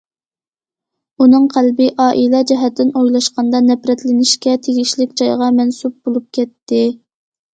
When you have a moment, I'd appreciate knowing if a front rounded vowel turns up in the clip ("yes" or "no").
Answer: no